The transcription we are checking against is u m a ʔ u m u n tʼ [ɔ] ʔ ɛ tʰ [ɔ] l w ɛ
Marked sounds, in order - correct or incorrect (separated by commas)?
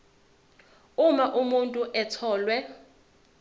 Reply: incorrect, incorrect